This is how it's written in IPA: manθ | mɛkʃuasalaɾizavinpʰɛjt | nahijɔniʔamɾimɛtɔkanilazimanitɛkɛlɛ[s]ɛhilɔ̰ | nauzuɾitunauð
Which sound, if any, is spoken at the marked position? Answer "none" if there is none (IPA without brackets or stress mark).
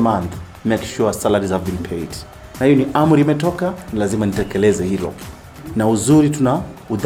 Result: z